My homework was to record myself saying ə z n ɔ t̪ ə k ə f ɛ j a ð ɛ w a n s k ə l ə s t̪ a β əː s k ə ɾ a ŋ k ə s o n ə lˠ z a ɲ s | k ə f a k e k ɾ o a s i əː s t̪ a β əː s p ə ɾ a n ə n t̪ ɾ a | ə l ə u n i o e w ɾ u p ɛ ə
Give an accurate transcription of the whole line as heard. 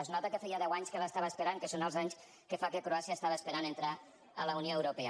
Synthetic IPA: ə z n ɔ t̪ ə k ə f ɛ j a ð ɛ w a ɲ s k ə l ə s t̪ a β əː s p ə ɾ a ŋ k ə s o n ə lˠ z a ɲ s | k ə f a k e k ɾ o a s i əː s t̪ a β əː s p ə ɾ a n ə n t̪ ɾ a | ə l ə u n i o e w ɾ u p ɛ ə